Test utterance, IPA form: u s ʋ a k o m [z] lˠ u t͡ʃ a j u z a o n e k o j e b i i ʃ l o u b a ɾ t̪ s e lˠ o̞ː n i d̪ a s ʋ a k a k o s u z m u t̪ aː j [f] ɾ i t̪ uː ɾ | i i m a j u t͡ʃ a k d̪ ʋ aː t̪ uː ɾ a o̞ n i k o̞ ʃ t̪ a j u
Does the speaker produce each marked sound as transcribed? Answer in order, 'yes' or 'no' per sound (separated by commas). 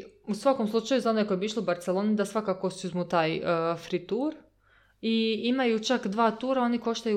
no, yes